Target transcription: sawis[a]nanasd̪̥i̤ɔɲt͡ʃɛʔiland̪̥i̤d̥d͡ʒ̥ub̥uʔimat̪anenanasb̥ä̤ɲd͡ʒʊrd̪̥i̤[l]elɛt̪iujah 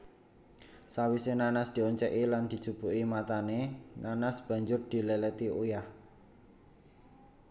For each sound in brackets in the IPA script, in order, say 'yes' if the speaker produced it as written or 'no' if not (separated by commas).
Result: no, yes